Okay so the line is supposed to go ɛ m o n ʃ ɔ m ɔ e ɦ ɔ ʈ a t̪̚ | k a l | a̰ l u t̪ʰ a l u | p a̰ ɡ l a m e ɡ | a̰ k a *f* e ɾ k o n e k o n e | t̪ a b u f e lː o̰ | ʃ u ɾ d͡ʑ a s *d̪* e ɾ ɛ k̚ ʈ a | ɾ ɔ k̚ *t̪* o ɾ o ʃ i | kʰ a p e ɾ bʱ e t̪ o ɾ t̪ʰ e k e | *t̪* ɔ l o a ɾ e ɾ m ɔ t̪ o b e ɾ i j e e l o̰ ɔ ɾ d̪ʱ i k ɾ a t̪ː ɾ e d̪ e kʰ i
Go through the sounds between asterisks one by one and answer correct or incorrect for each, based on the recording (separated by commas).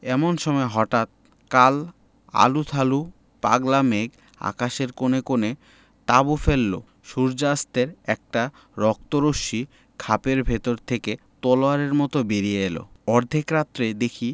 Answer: incorrect, incorrect, correct, correct